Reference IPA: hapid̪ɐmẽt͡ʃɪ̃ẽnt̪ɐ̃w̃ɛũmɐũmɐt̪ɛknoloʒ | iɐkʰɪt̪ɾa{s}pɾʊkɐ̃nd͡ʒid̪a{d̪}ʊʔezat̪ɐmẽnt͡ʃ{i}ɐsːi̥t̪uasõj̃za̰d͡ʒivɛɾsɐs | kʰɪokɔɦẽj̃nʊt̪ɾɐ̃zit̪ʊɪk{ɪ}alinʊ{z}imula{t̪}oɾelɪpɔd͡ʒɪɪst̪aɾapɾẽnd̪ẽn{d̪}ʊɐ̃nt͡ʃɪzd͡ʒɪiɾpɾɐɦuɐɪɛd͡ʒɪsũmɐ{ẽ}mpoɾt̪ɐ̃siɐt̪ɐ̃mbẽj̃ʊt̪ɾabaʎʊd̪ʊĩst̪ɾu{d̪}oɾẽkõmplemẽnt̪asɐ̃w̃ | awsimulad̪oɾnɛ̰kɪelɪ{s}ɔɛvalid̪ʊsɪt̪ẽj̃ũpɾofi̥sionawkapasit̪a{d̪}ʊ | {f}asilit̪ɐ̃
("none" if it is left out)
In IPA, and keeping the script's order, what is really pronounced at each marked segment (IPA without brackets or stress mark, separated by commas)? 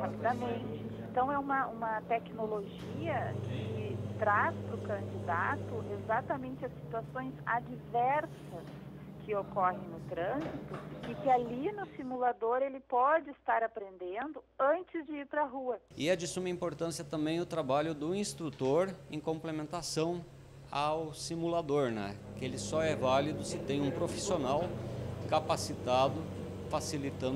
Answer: s, t̪, ɪ, ɪ, s, d̪, d̪, ĩ, t̪, s, d̪, f